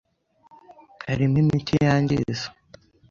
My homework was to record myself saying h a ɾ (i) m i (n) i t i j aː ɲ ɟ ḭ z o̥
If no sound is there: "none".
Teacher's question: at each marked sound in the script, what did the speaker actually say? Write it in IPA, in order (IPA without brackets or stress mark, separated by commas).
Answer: i, m